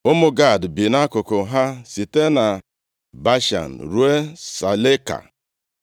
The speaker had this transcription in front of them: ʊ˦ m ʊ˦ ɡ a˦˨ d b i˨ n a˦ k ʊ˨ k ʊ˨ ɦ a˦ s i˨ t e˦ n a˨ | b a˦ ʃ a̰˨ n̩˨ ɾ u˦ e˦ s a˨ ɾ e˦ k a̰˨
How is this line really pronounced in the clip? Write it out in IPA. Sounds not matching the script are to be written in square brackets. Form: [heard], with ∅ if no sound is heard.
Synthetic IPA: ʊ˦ m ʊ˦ ɡ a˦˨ d b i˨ n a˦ k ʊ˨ k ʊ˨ ɦ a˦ s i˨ t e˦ n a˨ | b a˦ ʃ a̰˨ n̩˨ ɾ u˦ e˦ s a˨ [l] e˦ k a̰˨